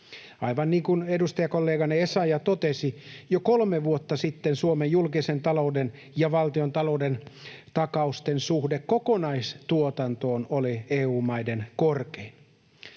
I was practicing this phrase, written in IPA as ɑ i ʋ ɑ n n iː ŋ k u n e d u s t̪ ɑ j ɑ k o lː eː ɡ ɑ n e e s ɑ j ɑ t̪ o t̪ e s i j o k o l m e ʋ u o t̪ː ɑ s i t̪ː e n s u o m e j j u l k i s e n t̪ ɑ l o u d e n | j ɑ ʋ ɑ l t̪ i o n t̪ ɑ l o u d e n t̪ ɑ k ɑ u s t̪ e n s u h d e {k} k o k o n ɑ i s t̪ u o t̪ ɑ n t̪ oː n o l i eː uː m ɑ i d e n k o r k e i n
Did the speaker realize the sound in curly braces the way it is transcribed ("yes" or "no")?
yes